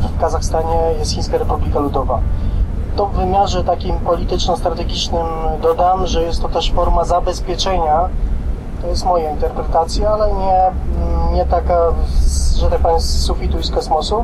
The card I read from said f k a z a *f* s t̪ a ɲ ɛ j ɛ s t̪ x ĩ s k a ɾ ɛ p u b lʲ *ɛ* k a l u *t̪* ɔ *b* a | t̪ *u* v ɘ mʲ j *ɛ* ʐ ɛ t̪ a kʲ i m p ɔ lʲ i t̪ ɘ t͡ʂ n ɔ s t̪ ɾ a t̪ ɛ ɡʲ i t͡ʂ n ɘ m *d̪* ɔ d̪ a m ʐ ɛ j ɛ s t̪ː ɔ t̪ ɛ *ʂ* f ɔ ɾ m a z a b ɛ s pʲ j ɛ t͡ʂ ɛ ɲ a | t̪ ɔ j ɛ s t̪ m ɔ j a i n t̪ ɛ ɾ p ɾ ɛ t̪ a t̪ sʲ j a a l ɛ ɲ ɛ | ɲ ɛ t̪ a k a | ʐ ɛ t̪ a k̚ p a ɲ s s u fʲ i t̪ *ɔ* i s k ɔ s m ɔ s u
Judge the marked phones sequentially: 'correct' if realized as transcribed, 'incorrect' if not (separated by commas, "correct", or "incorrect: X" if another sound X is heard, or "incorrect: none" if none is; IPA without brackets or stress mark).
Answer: incorrect: x, incorrect: i, incorrect: d̪, incorrect: v, incorrect: ɔ, incorrect: a, correct, correct, incorrect: u